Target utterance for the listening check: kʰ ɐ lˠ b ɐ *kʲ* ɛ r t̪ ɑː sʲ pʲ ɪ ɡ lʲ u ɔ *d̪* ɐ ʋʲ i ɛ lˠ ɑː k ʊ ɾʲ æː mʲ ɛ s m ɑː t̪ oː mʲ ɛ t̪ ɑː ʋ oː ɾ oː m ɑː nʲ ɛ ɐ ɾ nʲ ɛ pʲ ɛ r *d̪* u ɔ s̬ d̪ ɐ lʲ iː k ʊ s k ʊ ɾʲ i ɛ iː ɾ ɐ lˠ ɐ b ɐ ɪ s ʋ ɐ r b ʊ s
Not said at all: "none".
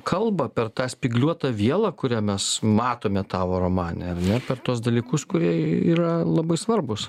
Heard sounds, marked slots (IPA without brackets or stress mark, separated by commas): pʲ, t̪, t̪